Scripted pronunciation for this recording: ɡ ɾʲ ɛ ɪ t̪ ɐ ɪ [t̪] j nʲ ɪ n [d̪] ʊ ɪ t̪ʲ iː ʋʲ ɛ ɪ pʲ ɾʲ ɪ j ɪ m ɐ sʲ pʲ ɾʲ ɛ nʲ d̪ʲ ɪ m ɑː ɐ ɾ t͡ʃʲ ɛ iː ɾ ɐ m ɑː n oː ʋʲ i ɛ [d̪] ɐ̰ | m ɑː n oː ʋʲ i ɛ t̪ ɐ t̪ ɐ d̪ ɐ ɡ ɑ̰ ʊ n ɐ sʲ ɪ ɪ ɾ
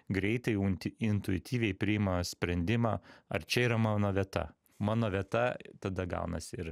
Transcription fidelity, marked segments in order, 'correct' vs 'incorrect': incorrect: none, incorrect: t̪, incorrect: t̪

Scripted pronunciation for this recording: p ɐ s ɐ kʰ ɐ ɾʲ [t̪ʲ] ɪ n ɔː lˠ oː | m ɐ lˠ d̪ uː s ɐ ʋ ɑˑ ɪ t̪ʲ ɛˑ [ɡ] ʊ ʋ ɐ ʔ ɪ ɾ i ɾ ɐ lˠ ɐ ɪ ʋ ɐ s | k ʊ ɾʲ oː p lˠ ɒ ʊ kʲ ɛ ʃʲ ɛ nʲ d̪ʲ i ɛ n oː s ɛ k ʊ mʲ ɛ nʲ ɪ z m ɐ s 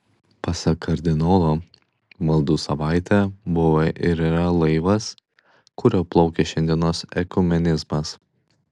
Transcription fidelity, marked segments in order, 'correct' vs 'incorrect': incorrect: d̪ʲ, incorrect: b

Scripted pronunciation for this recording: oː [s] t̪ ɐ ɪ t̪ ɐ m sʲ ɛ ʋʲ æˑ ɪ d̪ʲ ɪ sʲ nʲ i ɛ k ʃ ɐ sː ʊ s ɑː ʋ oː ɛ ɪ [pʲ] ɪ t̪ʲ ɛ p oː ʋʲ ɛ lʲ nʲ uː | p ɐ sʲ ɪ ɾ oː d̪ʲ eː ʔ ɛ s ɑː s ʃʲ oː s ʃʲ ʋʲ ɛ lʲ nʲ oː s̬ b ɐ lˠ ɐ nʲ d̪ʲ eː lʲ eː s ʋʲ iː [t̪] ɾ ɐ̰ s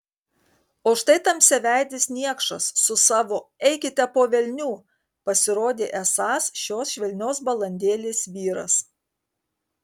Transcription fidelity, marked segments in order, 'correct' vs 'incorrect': incorrect: ʃ, incorrect: kʲ, incorrect: none

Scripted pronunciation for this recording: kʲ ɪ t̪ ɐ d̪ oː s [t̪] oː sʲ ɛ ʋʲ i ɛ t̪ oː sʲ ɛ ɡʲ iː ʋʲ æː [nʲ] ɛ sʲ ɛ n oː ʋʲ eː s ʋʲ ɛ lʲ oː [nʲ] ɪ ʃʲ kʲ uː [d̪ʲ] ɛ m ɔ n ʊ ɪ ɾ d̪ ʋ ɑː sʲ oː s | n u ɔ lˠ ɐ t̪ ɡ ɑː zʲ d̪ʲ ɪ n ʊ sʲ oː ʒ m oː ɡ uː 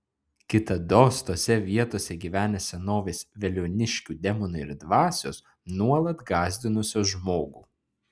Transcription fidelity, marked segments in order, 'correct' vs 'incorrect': correct, correct, correct, correct

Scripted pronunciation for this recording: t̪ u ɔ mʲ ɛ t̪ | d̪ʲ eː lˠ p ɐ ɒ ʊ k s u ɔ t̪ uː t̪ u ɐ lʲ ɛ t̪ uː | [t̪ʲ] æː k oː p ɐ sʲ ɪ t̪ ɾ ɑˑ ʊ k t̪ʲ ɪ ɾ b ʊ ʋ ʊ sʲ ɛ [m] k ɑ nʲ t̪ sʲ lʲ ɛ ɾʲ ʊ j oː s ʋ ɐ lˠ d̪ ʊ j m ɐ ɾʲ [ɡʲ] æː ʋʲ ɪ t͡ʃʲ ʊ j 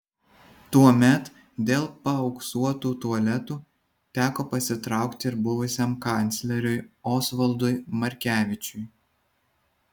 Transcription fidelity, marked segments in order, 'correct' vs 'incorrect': correct, correct, incorrect: kʲ

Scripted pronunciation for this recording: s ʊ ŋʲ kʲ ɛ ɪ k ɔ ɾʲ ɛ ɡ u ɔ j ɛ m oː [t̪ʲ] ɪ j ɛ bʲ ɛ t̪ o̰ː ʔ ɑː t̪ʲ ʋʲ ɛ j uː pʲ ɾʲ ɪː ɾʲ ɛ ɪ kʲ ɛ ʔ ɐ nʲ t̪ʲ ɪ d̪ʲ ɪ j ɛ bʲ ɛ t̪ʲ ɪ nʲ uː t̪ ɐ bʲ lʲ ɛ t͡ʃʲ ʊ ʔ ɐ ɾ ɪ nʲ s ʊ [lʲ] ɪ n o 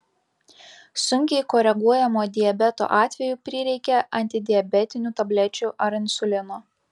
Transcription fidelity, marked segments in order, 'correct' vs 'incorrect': incorrect: d̪ʲ, correct

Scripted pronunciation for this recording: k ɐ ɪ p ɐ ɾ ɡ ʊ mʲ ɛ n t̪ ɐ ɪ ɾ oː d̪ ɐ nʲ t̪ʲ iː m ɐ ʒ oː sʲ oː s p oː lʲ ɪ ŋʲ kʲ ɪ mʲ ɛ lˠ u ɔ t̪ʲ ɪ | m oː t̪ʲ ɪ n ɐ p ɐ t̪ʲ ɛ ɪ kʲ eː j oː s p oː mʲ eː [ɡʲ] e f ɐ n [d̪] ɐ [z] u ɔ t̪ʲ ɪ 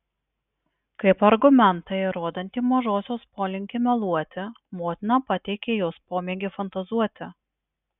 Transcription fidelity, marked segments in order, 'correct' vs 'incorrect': correct, incorrect: t̪, correct

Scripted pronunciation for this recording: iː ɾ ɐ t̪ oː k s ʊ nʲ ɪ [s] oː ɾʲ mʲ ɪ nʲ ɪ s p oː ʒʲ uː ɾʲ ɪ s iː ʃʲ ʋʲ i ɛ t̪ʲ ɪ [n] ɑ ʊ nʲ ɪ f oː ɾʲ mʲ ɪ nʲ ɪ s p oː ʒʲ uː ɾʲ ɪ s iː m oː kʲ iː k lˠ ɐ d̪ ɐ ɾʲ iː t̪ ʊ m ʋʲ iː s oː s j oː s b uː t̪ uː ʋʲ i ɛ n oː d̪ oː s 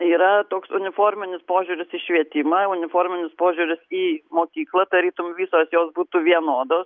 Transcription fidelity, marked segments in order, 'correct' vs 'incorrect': incorrect: f, incorrect: m

